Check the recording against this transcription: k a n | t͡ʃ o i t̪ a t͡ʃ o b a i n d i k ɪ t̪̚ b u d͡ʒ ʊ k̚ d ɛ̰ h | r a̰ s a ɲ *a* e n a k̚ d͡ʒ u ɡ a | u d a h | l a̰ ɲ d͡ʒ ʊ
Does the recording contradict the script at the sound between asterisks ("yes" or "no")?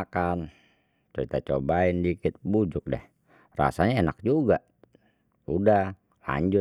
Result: no